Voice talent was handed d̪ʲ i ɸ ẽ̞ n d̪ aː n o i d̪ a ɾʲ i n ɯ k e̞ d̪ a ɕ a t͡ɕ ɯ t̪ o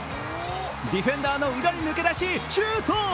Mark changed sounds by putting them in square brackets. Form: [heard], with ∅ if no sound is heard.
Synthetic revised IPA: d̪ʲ i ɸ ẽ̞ n d̪ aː n o i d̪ a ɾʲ i n ɯ k e̞ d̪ a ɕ [i] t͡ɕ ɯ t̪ o